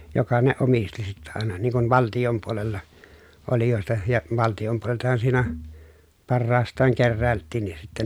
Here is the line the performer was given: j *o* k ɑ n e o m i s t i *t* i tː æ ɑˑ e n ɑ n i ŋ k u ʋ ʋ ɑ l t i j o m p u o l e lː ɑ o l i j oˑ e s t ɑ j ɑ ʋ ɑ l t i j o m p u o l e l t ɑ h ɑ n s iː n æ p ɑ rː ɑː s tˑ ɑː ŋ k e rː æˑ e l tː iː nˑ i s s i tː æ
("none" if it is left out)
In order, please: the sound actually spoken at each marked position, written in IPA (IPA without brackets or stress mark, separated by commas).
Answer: o, s